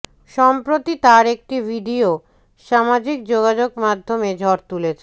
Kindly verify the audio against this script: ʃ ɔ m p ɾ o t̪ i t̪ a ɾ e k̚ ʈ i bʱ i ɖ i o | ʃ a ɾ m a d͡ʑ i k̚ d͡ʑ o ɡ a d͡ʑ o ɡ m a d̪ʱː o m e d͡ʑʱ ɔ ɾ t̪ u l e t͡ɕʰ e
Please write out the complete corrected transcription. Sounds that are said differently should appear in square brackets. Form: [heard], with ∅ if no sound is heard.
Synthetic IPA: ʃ ɔ m p ɾ o t̪ i t̪ a ɾ e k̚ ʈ i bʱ i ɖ i o | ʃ a [∅] m a d͡ʑ i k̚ d͡ʑ o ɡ a d͡ʑ o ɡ m a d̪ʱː o m e d͡ʑʱ ɔ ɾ t̪ u l e t͡ɕʰ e